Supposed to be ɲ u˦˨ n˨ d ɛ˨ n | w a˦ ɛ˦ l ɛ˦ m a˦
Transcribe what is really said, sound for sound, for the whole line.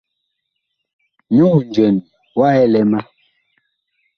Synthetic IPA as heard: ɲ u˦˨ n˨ d͡ʒ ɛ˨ n | w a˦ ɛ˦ l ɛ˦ m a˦